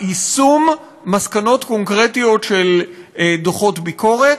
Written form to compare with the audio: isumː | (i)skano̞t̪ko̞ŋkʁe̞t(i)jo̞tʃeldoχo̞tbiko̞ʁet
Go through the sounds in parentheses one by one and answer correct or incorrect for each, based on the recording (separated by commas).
incorrect, correct